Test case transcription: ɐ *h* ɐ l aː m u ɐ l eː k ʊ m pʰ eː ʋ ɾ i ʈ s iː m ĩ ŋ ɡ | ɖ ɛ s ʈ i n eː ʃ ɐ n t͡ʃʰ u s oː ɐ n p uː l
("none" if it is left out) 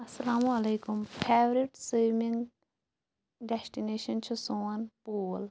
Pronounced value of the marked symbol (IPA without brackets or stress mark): s